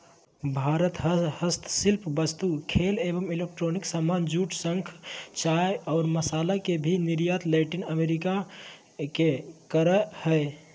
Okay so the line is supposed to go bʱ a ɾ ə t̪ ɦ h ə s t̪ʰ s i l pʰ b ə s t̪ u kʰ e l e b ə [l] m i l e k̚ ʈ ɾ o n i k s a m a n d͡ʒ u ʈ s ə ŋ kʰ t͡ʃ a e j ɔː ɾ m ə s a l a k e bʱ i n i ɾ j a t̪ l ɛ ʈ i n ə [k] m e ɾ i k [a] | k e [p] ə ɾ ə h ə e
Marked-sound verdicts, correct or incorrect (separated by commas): incorrect, incorrect, correct, incorrect